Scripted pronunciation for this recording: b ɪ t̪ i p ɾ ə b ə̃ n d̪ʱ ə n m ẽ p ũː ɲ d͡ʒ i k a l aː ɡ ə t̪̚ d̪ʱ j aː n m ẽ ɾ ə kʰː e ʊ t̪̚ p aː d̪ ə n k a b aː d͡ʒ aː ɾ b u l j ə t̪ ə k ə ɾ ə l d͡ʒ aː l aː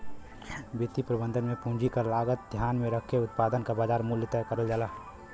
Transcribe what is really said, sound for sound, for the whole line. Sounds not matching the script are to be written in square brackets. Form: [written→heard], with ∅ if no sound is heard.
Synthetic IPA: b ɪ t̪ i p ɾ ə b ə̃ n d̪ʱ ə n m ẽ p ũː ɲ d͡ʒ i k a l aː ɡ ə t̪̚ d̪ʱ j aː n m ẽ ɾ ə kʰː e ʊ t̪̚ p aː d̪ ə n k a b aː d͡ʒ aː ɾ [b→m] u l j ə t̪ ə k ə ɾ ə l d͡ʒ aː l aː